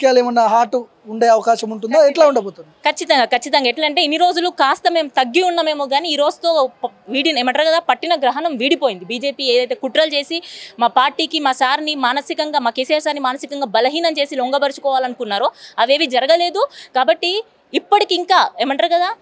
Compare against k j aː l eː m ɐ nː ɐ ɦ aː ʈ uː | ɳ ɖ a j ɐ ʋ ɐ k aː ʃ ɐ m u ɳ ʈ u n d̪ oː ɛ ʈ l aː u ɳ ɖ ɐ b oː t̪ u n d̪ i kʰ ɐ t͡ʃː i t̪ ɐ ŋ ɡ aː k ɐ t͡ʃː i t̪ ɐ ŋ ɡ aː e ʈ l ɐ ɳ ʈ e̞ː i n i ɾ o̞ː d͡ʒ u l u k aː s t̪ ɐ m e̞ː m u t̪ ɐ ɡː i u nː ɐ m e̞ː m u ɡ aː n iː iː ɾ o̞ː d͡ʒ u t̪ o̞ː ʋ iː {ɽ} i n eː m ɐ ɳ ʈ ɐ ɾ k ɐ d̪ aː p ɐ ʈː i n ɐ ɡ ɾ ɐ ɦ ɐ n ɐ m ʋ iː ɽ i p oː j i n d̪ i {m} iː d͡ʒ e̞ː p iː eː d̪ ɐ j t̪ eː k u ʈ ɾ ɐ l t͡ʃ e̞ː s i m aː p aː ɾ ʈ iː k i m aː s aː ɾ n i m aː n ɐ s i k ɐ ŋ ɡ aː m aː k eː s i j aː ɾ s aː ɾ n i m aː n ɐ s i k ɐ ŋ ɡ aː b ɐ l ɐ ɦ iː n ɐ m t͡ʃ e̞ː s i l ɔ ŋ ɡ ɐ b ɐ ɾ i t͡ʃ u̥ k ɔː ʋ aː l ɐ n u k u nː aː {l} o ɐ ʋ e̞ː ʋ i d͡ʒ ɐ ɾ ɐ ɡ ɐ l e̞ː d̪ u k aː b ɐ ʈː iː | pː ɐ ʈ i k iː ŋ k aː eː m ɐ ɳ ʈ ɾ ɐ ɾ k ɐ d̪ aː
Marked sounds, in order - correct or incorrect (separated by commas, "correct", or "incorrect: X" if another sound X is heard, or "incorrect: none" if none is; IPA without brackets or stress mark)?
correct, incorrect: b, incorrect: ɾ